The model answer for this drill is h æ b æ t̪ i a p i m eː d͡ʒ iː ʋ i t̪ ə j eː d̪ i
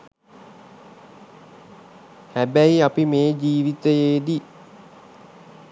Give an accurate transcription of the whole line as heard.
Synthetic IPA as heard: h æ b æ i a p i m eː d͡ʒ iː ʋ i t̪ ə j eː d̪ i